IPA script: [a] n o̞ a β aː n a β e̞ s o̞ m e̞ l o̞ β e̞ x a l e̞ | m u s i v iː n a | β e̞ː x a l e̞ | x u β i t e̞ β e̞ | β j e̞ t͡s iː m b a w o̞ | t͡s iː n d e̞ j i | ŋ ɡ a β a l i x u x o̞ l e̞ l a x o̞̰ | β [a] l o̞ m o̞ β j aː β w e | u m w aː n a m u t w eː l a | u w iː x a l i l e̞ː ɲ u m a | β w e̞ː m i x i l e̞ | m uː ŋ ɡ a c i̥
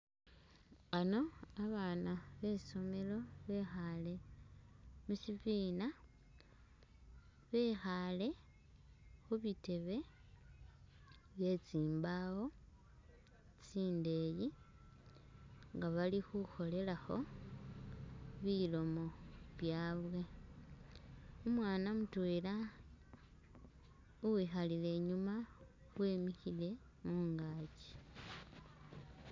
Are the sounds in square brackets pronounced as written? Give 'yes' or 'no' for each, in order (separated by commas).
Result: yes, no